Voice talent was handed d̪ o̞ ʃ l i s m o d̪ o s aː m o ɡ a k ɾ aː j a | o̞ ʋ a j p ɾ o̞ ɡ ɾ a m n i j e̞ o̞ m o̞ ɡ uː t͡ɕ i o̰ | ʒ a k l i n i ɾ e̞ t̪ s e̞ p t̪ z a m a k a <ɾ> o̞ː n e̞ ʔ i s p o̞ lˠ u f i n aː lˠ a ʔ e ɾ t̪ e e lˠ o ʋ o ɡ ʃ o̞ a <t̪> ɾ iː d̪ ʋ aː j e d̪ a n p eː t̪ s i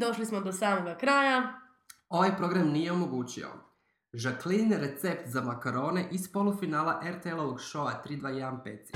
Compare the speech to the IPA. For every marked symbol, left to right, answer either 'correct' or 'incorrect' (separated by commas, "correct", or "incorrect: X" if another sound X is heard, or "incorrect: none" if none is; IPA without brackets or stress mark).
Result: correct, correct